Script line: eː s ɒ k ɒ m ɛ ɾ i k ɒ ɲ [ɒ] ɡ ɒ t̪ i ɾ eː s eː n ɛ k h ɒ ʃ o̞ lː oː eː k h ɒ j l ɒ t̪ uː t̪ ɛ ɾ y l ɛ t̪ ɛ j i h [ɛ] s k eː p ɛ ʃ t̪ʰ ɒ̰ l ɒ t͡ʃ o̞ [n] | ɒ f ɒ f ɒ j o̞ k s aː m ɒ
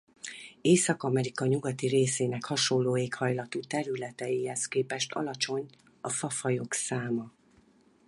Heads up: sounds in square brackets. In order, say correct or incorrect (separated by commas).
incorrect, correct, incorrect